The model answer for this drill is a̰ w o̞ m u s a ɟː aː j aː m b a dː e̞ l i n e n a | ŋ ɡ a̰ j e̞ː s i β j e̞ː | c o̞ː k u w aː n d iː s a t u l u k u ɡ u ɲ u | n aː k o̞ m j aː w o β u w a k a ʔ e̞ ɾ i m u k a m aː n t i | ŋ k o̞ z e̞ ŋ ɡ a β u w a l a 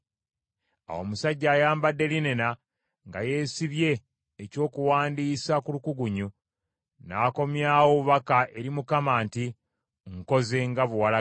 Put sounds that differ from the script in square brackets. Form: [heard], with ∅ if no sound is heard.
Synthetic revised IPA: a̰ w o̞ m u s a ɟː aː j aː m b a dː e̞ l i n e n a | ŋ ɡ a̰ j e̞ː s i β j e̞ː | c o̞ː k u w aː n d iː s a [k] u l u k u ɡ u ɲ u | n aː k o̞ m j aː w o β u [β] a k a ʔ e̞ ɾ i m u k a m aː n t i | ŋ k o̞ z e̞ ŋ ɡ a β u w a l a